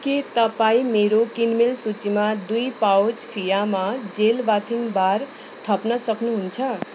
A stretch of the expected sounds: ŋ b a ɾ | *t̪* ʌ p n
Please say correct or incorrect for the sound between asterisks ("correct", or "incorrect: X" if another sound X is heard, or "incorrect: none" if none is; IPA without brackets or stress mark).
incorrect: t̪ʰ